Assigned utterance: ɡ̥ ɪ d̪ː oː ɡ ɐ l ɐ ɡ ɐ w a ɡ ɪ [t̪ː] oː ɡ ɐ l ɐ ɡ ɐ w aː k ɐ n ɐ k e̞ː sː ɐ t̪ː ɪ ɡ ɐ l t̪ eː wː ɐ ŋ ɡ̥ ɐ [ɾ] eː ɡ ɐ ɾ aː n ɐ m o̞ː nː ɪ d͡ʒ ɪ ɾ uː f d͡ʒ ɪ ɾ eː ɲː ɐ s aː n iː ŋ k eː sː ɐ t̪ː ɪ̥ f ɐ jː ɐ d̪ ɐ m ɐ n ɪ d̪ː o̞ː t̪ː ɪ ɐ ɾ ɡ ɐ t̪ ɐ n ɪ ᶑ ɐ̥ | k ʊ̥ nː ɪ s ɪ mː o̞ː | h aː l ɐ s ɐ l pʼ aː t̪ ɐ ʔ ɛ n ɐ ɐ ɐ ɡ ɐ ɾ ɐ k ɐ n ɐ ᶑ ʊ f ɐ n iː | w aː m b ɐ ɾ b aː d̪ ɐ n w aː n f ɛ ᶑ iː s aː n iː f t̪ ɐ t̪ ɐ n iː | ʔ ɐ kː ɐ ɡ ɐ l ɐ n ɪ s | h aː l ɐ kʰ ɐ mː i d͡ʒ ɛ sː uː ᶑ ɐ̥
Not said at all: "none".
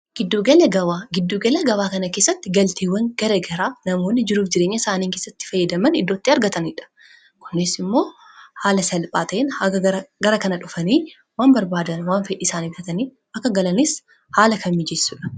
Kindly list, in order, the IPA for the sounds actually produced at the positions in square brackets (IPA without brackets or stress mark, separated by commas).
d̪ː, ɾ